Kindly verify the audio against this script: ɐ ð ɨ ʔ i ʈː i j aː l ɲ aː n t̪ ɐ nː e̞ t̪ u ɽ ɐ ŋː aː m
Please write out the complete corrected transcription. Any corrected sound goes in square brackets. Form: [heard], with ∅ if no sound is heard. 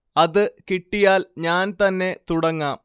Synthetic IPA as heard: ɐ ð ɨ [k] i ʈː i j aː l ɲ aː n t̪ ɐ nː e̞ t̪ u ɽ ɐ ŋː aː m